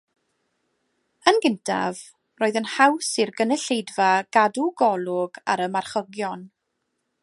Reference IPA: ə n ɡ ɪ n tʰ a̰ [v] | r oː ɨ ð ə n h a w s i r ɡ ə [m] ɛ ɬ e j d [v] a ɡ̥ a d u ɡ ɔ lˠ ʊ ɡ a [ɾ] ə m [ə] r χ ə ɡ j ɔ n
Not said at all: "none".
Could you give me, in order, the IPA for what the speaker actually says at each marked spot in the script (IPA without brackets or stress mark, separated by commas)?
v, n, v, ɾ, a